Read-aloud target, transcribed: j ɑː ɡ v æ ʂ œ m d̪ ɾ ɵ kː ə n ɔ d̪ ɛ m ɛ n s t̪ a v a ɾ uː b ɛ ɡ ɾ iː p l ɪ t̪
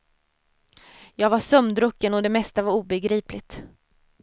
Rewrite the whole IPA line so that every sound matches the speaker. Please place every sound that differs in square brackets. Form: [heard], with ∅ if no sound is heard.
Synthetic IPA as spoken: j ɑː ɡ v [a] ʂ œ m d̪ ɾ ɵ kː ə n ɔ d̪ ɛ m ɛ [∅] s t̪ a v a ɾ uː b ɛ ɡ ɾ iː p l ɪ t̪